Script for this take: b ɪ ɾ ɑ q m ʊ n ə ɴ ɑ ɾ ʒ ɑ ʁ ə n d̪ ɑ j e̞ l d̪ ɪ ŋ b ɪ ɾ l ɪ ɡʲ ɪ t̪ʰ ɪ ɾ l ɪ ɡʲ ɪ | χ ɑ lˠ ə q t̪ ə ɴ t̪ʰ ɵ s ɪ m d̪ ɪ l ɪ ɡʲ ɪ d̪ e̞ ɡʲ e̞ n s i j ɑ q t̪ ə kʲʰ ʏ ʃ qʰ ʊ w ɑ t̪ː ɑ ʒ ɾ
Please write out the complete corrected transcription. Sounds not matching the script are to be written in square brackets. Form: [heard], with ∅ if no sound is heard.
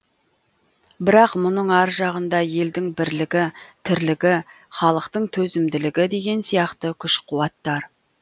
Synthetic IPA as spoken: b ɪ ɾ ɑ q m ʊ n ə ɴ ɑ ɾ ʒ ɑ ʁ ə n d̪ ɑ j e̞ l d̪ ɪ ŋ b ɪ ɾ l ɪ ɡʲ ɪ t̪ʰ ɪ ɾ l ɪ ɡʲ ɪ | χ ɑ lˠ ə q t̪ ə ɴ t̪ʰ ɵ [z] ɪ m d̪ ɪ l ɪ ɡʲ ɪ d̪ e̞ ɡʲ e̞ n s i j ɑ q t̪ ə kʲʰ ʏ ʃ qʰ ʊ w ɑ t̪ː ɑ [∅] ɾ

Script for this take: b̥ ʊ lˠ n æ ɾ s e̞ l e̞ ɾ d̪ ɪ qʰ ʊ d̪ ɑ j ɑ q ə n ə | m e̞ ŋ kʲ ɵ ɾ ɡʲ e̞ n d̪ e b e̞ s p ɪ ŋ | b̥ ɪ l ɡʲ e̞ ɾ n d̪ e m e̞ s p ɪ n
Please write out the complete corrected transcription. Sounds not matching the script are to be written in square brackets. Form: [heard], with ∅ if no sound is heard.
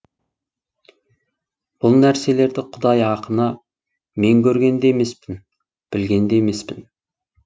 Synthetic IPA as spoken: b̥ ʊ lˠ n æ ɾ s e̞ l e̞ ɾ d̪ ɪ qʰ ʊ d̪ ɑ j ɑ q ə n [ɑ] | m e̞ ŋ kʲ ɵ ɾ ɡʲ e̞ n d̪ e [m] e̞ s p ɪ [n] | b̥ ɪ l ɡʲ e̞ [∅] n d̪ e m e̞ s p ɪ n

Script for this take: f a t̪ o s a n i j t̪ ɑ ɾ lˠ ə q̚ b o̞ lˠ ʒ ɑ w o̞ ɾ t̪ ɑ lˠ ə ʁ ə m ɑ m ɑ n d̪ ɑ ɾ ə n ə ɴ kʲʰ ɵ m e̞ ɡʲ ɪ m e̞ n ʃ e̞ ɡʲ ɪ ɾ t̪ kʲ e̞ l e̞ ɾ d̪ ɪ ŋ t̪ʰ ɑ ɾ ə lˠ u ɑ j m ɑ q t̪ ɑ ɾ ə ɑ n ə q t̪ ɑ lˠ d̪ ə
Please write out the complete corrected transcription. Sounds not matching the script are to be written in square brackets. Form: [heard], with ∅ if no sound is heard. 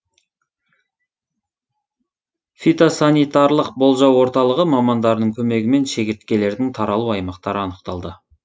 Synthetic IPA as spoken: f [i] t̪ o s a n i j t̪ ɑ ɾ lˠ ə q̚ b o̞ lˠ ʒ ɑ w o̞ ɾ t̪ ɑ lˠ ə ʁ ə m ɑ m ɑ n d̪ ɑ ɾ ə n ə ɴ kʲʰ ɵ m e̞ ɡʲ ɪ m e̞ n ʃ e̞ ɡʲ ɪ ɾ t̪ kʲ e̞ l e̞ ɾ d̪ ɪ ŋ t̪ʰ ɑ ɾ [ɑ] lˠ u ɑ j m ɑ q t̪ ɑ ɾ ə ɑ n ə q t̪ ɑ lˠ d̪ ə

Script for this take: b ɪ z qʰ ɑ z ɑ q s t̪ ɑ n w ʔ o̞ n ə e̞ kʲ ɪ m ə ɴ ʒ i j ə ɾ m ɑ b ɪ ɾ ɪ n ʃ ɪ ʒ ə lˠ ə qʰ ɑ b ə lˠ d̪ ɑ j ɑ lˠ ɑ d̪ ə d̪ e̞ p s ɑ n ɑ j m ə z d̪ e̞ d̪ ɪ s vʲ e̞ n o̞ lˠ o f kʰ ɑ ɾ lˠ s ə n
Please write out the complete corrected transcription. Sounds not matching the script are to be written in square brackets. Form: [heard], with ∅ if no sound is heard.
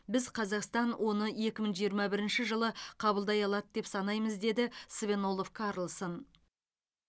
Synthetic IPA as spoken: b ɪ z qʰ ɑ z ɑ q s t̪ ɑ n w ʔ o̞ n ə e̞ kʲ ɪ m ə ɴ ʒ i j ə ɾ m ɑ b ɪ ɾ ɪ n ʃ ɪ ʒ ə lˠ ə qʰ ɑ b ə lˠ d̪ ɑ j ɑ lˠ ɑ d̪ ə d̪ e̞ p s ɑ n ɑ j m ə z d̪ e̞ d̪ ɪ s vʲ e̞ n o̞ lˠ o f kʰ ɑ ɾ lˠ s ə n

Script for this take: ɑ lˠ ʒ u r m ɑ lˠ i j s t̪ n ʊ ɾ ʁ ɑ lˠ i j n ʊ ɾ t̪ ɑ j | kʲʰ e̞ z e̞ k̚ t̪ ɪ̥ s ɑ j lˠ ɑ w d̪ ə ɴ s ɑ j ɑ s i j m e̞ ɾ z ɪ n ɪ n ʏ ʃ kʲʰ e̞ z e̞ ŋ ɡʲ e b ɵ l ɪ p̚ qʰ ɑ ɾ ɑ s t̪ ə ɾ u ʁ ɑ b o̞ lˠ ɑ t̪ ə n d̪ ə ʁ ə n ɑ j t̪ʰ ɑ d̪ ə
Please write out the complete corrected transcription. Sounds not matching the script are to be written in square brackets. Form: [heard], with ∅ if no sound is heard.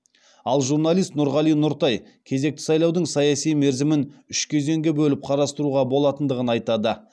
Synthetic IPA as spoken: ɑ lˠ ʒ u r [n] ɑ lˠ i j s t̪ n ʊ ɾ ʁ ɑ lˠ i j n ʊ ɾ t̪ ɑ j | kʲʰ e̞ z e̞ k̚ t̪ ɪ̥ s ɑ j lˠ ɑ w d̪ ə ɴ s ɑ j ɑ s i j m e̞ ɾ z ɪ [m] ɪ n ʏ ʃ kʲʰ e̞ z e̞ ŋ ɡʲ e b ɵ l ɪ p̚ qʰ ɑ ɾ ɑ s t̪ ə ɾ u ʁ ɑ b o̞ lˠ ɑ t̪ ə n d̪ ə ʁ ə n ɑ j [t̪] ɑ d̪ ə

